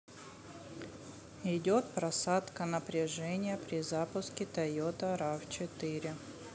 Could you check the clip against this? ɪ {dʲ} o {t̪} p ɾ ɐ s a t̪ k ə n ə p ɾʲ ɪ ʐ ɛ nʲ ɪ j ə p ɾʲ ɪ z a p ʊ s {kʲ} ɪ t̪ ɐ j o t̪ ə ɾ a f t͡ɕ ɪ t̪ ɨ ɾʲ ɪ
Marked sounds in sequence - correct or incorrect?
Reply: correct, correct, correct

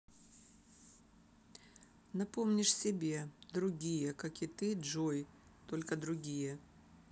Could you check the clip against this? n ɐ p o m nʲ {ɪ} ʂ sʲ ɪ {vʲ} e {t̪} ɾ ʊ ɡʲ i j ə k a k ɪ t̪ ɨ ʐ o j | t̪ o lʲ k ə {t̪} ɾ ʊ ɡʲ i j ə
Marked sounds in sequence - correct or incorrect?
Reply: correct, incorrect: bʲ, incorrect: d̪, incorrect: d̪

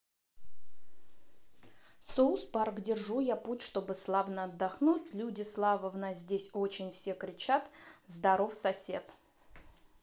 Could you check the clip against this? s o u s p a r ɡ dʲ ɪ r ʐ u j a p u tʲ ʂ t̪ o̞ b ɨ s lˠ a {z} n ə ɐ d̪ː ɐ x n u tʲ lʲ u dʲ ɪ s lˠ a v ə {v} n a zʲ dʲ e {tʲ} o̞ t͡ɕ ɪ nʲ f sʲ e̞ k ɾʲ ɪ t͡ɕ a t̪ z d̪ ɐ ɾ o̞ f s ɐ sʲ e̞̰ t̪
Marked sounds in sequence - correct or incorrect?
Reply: incorrect: v, correct, incorrect: sʲ

